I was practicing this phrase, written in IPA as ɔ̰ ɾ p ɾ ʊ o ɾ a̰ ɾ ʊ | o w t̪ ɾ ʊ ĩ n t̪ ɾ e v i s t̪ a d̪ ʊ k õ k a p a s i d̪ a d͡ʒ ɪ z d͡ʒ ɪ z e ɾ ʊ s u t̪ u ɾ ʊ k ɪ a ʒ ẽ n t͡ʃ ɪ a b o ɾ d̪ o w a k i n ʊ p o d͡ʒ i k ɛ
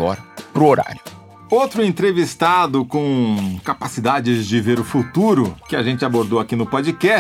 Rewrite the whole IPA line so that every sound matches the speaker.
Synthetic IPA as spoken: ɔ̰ ɾ p ɾ ʊ o ɾ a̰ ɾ ʊ | o w t̪ ɾ ʊ ẽ n t̪ ɾ e v i s t̪ a d̪ ʊ k õ k a p a s i d̪ a d͡ʒ ɪ z d͡ʒ ɪ v e ɾ ʊ f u t̪ u ɾ ʊ k ɪ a ʒ ẽ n t͡ʃ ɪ a b o ɾ d̪ o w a k i n ʊ p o d͡ʒ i k ɛ